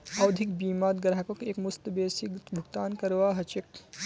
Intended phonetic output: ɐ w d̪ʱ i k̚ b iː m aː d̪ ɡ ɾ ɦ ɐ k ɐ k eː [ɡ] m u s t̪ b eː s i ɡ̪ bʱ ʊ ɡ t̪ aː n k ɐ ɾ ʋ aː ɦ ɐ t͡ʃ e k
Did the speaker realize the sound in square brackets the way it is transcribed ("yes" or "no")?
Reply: no